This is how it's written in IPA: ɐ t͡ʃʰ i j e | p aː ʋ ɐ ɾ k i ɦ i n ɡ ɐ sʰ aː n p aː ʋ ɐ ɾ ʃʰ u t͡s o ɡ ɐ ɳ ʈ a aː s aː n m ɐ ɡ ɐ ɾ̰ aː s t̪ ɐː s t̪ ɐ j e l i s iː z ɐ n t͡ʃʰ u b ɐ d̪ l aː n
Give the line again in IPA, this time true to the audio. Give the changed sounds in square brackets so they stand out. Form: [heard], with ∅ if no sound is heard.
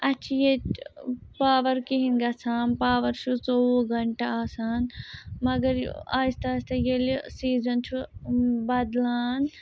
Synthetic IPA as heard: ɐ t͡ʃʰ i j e | p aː ʋ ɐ ɾ k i ɦ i n ɡ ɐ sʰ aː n p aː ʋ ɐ ɾ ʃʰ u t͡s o ɡ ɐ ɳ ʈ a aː s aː n m ɐ ɡ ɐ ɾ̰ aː s t̪ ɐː s t̪ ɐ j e l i s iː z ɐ n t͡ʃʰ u b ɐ d̪ l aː n